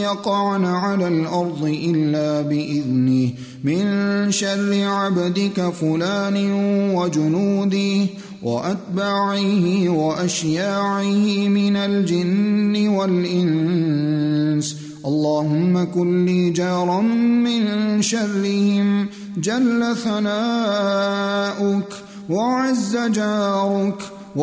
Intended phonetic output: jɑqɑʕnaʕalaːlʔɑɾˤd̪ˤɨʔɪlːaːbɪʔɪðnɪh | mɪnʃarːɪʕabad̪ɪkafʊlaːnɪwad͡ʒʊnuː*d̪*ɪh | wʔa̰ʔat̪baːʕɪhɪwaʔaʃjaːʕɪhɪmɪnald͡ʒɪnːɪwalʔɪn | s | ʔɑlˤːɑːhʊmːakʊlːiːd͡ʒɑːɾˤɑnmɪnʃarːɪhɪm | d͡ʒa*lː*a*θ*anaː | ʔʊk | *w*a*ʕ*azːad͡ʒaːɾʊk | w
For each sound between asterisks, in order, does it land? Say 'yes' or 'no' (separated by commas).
yes, yes, yes, yes, yes